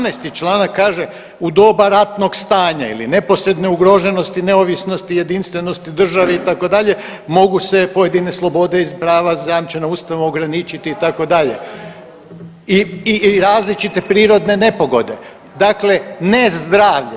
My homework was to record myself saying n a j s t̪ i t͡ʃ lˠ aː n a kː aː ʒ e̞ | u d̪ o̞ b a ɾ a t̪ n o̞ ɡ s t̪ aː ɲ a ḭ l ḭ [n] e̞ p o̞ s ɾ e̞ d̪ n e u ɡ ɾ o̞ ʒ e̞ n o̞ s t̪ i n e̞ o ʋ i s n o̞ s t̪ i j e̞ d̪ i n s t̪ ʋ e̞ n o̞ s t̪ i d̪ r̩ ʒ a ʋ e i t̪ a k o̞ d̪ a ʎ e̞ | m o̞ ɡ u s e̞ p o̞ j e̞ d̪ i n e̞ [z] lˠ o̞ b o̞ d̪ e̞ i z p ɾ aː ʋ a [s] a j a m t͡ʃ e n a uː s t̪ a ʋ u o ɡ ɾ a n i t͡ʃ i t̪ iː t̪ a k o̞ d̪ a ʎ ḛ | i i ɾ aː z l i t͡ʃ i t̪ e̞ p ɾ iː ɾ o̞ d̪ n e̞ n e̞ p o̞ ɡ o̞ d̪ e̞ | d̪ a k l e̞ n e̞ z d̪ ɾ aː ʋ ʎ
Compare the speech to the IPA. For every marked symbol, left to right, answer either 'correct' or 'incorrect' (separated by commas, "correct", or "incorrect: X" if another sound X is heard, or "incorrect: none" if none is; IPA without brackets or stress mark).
correct, incorrect: s, incorrect: z